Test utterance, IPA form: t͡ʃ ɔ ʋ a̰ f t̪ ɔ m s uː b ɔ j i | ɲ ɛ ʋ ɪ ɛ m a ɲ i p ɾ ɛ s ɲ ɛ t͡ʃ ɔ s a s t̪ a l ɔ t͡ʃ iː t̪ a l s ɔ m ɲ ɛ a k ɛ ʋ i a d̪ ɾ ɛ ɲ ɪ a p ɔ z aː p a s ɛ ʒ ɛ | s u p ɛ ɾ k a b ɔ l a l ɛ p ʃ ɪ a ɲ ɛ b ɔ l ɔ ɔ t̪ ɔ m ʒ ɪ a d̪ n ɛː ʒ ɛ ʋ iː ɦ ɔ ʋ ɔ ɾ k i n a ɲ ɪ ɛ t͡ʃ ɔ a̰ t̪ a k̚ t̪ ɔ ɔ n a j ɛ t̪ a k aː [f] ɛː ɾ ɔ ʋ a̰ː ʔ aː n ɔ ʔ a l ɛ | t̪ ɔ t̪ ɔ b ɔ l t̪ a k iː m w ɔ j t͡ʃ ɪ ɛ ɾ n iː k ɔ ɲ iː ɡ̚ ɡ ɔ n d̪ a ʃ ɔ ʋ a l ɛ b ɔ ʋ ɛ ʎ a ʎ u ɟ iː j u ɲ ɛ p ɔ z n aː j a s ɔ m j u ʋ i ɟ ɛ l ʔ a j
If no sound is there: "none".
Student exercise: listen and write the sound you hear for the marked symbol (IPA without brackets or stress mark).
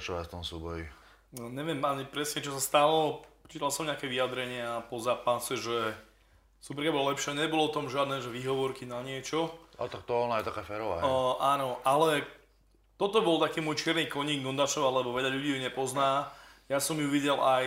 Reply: f